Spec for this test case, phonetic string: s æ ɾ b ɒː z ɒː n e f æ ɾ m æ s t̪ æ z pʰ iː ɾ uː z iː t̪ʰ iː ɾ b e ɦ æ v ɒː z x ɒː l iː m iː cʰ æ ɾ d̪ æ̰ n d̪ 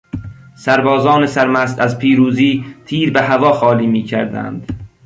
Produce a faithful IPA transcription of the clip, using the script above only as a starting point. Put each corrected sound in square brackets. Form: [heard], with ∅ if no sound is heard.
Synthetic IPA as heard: s æ ɾ b ɒː z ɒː n e [s] æ ɾ m æ s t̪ æ z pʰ iː ɾ uː z iː t̪ʰ iː ɾ b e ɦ æ v ɒː [∅] x ɒː l iː m iː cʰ æ ɾ d̪ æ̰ n d̪